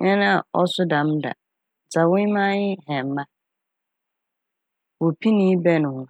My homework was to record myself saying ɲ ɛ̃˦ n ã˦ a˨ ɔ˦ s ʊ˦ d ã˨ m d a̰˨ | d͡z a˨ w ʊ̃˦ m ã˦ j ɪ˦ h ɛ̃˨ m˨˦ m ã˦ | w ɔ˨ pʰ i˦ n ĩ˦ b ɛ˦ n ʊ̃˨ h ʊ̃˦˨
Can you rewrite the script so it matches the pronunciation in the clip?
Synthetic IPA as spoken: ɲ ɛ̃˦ n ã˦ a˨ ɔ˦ s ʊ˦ d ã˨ m d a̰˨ | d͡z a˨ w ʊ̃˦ m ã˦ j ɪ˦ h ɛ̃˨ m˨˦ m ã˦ | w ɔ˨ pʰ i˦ n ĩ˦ b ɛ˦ n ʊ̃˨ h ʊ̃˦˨